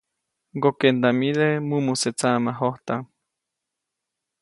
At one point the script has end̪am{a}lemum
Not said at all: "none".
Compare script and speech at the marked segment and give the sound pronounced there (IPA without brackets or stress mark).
i